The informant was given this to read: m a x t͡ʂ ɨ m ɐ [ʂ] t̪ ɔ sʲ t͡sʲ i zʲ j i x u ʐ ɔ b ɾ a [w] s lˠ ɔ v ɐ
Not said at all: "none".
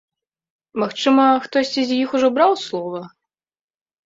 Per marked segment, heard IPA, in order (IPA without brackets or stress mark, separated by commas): x, w